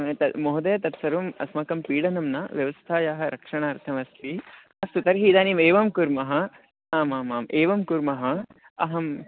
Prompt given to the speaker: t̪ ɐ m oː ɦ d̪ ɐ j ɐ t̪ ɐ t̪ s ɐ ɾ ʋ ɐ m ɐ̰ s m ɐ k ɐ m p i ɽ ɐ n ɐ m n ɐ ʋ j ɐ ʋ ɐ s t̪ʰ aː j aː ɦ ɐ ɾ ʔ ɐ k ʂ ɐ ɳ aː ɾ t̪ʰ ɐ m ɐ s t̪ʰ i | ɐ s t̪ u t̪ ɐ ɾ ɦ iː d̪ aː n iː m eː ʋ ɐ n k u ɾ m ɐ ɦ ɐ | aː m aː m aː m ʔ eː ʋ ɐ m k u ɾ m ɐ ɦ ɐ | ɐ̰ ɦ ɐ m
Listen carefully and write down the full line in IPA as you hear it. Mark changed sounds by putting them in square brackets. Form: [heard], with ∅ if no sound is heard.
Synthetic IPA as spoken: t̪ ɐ m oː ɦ d̪ ɐ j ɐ t̪ ɐ t̪ s ɐ ɾ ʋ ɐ m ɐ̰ s m ɐ k ɐ m p [iː] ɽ ɐ n ɐ m n ɐ ʋ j ɐ ʋ ɐ s t̪ʰ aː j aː ɦ ɐ ɾ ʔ ɐ k ʂ ɐ ɳ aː ɾ t̪ʰ ɐ m ɐ s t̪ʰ i | ɐ s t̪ u t̪ ɐ ɾ ɦ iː d̪ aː n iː m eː ʋ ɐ [m] k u ɾ m ɐ ɦ ɐ | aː m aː m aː m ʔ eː ʋ ɐ m k u ɾ m ɐ ɦ ɐ | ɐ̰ ɦ ɐ m